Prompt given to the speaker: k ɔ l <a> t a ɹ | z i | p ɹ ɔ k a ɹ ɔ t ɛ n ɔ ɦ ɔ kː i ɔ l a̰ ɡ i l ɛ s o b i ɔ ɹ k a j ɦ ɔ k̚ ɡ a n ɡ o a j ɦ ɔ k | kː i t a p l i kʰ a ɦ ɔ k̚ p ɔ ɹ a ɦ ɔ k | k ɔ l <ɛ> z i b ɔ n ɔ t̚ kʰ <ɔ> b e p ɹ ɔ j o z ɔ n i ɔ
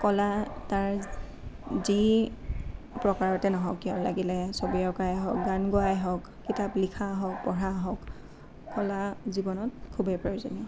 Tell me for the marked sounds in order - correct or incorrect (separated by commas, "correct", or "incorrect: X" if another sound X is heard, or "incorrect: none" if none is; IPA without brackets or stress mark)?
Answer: correct, incorrect: a, incorrect: u